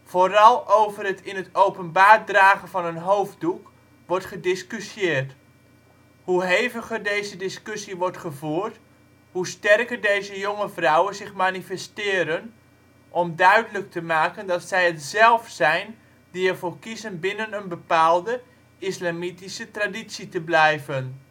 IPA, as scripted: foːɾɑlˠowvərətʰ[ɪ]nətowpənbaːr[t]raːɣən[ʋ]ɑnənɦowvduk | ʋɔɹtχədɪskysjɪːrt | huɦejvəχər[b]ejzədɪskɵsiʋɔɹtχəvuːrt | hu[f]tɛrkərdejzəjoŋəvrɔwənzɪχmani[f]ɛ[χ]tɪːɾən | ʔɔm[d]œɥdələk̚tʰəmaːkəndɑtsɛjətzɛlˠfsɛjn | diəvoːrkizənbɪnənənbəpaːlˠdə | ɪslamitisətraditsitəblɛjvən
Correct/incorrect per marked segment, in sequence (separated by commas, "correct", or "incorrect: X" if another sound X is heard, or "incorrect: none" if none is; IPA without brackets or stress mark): correct, incorrect: d, incorrect: v, incorrect: d, incorrect: s, correct, incorrect: s, correct